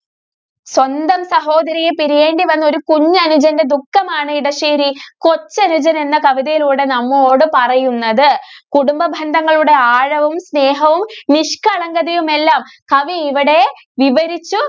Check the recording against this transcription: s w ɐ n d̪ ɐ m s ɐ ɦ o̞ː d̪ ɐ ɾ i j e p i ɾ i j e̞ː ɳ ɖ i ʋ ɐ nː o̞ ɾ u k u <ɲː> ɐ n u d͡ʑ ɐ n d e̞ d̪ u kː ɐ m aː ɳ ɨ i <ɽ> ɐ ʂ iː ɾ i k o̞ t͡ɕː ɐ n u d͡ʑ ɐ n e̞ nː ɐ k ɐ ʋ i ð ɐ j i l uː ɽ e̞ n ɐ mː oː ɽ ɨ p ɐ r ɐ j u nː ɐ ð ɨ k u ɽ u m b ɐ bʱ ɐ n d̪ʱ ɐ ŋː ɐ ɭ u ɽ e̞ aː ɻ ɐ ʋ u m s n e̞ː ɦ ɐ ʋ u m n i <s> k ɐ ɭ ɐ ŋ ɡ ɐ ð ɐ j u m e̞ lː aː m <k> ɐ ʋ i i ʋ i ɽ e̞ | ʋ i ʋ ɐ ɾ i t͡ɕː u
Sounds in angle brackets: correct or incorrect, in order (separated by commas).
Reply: correct, correct, incorrect, correct